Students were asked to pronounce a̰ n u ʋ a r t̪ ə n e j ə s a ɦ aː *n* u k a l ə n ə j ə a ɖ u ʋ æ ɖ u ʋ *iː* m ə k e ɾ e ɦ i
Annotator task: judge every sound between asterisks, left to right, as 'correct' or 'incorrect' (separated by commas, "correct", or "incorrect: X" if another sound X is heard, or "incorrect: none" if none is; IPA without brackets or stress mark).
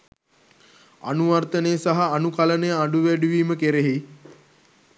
correct, correct